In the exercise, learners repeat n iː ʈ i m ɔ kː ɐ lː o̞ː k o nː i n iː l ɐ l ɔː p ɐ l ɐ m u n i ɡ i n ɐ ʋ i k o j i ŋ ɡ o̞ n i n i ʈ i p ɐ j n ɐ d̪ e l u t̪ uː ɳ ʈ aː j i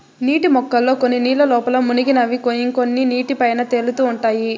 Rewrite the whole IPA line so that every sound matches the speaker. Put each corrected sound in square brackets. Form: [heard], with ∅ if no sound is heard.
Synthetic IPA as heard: n iː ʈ i m ɔ kː ɐ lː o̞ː k o nː i n iː l ɐ l ɔː p ɐ l ɐ m u n i ɡ i n ɐ ʋ i k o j i ŋ [k] o̞ [nː] i n [iː] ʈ i p ɐ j n ɐ [t̪] e l u t̪ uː ɳ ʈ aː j i